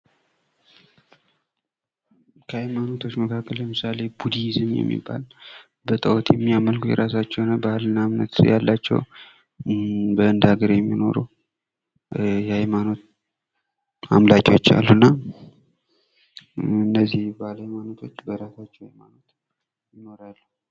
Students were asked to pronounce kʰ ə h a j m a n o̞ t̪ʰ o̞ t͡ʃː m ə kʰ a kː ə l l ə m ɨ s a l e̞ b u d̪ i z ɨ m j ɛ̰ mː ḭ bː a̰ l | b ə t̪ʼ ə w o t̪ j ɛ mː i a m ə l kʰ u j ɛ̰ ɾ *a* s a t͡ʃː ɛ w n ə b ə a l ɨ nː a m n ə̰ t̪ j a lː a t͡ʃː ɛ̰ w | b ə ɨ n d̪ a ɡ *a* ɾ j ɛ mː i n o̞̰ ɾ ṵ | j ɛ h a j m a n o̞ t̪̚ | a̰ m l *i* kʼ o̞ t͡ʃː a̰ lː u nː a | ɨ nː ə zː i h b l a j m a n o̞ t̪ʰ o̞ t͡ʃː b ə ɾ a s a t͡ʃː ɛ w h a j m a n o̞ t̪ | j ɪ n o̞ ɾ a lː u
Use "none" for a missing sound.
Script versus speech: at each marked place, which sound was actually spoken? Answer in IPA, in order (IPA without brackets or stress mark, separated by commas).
a, ə, a